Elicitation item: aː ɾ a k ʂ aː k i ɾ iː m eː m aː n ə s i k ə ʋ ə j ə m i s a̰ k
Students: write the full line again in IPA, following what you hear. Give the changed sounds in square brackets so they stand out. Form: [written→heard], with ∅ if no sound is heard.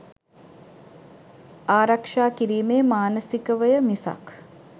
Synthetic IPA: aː ɾ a k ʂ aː k i ɾ iː m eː m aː n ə s i k ə ʋ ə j ə m i s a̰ k